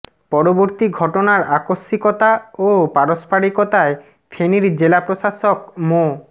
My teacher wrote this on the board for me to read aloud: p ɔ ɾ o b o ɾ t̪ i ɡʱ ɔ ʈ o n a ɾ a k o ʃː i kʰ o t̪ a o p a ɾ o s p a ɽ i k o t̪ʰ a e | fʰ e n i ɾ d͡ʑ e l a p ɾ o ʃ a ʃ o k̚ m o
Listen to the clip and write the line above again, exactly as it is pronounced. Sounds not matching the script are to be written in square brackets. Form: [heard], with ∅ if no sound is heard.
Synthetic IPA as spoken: p ɔ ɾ o b o ɾ t̪ i ɡʱ ɔ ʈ o n a ɾ a k o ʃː i [k] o t̪ a o p a ɾ o s p a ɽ i k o [t̪] a e | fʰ e n i ɾ d͡ʑ e l a p ɾ o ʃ a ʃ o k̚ m o